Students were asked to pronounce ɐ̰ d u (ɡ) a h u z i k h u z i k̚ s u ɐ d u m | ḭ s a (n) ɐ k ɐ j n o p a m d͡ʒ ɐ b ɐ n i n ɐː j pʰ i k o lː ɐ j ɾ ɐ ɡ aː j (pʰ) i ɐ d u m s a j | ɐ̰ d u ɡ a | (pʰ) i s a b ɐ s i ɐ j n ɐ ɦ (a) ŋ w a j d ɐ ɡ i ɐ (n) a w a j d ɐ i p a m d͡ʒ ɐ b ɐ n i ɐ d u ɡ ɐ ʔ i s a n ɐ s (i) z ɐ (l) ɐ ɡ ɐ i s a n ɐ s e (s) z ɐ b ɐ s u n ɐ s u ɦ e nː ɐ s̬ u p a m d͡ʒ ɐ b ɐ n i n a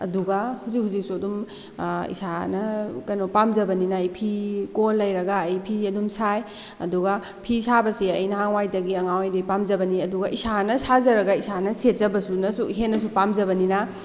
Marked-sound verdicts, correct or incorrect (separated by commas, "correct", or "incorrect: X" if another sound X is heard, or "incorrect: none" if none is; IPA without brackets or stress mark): correct, correct, correct, correct, correct, incorrect: ŋ, incorrect: a, incorrect: ɾ, incorrect: t